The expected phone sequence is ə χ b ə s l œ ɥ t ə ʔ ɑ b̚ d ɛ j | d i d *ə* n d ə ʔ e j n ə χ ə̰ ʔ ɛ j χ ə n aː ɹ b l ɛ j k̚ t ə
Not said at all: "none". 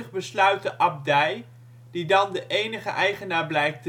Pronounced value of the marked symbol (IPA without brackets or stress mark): ɑ